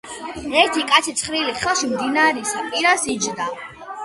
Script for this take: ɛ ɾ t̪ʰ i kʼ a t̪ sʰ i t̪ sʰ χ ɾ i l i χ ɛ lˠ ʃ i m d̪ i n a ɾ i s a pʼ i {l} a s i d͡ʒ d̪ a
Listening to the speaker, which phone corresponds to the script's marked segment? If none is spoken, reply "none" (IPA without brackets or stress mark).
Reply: ɾ